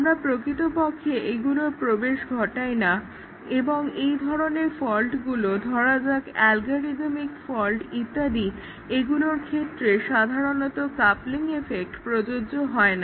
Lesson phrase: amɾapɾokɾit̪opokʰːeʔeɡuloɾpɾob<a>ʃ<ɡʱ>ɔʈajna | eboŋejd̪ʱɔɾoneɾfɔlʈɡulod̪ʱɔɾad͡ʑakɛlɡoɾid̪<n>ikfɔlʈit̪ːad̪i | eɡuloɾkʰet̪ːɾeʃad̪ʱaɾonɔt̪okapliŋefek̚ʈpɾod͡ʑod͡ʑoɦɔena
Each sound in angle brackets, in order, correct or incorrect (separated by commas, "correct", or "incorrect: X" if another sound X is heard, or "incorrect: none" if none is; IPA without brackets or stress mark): incorrect: e, correct, incorrect: m